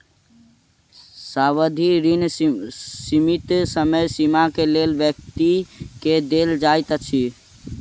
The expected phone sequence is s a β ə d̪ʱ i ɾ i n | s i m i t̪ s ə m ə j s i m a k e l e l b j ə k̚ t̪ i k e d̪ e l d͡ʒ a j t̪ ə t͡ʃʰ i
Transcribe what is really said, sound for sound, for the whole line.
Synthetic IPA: s a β ə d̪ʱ i ɾ i n | s i m i t̪ s ə m ə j s i m a k e l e l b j ə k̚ t̪ i k e d̪ e l d͡ʒ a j t̪ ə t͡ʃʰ i